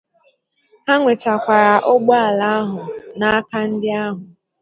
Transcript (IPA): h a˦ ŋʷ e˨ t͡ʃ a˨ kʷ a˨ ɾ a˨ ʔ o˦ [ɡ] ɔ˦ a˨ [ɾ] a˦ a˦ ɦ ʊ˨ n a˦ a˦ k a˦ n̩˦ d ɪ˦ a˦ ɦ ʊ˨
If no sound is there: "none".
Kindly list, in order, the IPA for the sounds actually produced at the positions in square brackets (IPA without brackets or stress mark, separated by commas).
ɡ͡b, l